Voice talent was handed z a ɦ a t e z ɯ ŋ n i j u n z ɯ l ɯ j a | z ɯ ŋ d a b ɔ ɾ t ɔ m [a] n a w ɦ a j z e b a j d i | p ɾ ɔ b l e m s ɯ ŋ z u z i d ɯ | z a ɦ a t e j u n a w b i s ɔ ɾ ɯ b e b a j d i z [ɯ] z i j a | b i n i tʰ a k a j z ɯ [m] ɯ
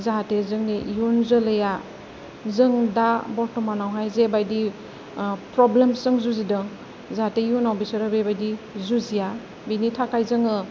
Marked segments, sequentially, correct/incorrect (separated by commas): correct, incorrect, incorrect